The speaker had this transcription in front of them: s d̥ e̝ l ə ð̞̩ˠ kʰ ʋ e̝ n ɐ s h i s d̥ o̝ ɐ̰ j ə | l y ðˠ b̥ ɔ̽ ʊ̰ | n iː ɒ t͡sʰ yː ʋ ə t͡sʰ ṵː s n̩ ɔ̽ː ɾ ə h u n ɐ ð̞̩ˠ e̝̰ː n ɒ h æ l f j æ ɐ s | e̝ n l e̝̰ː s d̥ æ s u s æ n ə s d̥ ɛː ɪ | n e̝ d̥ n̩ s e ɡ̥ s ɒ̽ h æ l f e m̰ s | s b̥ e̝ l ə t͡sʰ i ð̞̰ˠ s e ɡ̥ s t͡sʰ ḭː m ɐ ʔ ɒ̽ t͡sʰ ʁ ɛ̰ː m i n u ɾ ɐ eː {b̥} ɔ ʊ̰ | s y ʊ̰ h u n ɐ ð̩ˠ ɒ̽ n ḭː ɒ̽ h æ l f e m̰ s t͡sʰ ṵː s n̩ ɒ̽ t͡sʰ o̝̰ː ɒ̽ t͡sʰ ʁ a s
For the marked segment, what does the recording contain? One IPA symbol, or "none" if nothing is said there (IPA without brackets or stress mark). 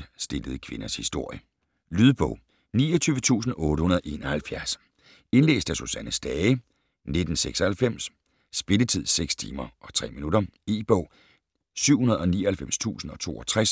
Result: b̥